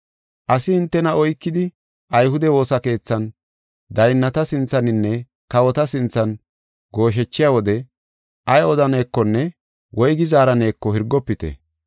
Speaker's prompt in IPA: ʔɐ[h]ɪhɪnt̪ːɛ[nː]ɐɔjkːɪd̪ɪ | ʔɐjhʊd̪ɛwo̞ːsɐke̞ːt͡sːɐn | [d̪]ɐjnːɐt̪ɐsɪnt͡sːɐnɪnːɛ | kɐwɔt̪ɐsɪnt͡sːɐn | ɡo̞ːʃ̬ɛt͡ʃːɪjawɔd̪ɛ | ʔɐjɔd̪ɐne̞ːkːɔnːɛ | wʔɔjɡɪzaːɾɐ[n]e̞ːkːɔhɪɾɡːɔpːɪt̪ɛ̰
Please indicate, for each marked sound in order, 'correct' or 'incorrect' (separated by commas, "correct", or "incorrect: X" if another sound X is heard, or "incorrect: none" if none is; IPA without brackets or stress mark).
incorrect: s, incorrect: n, correct, correct